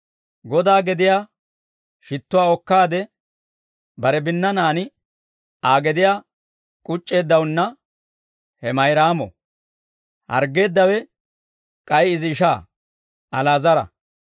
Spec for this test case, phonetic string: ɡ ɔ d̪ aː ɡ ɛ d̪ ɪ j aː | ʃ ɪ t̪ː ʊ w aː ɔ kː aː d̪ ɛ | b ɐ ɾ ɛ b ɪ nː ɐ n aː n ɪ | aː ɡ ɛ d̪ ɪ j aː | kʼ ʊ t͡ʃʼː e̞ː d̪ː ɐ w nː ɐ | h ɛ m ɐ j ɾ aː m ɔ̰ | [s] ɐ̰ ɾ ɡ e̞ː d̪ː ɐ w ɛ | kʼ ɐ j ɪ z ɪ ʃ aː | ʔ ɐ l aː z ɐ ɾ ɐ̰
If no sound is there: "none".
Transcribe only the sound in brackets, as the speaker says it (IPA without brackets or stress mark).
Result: h